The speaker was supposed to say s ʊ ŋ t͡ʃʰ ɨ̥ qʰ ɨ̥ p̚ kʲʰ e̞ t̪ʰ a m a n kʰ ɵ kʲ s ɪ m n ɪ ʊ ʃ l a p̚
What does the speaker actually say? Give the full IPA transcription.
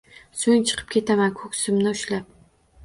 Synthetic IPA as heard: s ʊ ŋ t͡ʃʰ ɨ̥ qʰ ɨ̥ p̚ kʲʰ e̞ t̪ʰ a m a n kʰ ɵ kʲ s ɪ m n ɪ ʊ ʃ l a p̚